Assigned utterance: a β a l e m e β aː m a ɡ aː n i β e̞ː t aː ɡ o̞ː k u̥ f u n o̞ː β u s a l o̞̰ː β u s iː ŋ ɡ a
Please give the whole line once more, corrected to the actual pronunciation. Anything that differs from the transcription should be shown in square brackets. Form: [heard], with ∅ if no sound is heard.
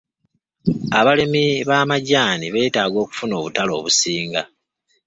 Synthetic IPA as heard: a β a l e m [i] β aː m a [ɟ] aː n i β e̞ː t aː ɡ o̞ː k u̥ f u n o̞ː β u [t] a l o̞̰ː β u s iː ŋ ɡ a